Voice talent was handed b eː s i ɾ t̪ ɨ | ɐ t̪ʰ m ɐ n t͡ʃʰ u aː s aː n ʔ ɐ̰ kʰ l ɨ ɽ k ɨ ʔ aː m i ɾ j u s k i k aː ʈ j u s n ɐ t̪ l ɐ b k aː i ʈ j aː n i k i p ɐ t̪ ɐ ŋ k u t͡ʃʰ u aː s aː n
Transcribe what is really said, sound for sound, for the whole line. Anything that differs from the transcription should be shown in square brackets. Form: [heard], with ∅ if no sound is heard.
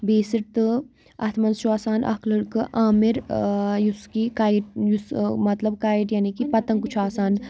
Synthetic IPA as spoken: b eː s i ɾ t̪ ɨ | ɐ t̪ʰ m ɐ n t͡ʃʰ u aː s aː n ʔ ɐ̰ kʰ l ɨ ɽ k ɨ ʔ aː m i ɾ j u s k i k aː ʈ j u s [m] ɐ t̪ l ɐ b k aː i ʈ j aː n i k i p ɐ t̪ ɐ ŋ k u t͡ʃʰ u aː s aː n